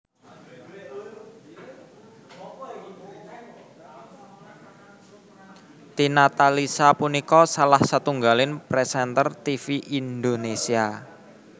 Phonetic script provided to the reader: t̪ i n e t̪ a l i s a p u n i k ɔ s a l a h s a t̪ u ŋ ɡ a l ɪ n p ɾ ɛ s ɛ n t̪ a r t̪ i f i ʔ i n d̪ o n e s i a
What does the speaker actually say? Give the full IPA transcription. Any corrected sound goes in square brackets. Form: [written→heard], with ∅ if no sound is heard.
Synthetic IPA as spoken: t̪ i n [e→a] t̪ a l i s a p u n i k ɔ s a l a h s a t̪ u ŋ ɡ a l ɪ n p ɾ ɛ s ɛ n t̪ [a→ə] r t̪ i f i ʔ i n d̪ o n e s i a